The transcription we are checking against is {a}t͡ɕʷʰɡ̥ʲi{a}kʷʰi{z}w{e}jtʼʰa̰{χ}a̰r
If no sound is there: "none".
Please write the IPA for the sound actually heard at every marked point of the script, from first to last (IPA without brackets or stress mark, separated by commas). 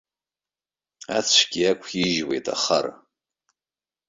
a, a, ʒ, e, χ